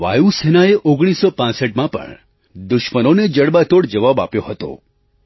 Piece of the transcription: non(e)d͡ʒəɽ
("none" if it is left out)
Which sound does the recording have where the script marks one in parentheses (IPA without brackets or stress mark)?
e